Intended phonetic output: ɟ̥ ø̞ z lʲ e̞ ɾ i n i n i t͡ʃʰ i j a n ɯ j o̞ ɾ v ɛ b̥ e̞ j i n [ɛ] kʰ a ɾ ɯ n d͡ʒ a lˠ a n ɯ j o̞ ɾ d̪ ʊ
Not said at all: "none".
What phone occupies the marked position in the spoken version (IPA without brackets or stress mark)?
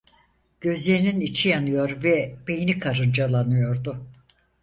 i